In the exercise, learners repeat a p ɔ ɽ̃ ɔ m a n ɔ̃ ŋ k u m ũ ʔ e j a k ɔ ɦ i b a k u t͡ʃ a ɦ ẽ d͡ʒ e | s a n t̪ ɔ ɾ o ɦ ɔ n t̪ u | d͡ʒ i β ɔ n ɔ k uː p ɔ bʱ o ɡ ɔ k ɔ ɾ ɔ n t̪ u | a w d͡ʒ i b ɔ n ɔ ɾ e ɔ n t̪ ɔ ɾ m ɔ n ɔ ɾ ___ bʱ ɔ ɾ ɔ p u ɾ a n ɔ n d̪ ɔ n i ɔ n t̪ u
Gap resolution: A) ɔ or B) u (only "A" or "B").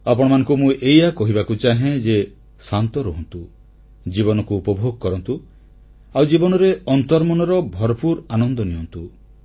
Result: A